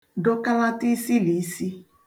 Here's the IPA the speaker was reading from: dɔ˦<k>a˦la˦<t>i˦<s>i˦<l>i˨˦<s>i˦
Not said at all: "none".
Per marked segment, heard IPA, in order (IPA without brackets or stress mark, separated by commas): k, t, s, l, s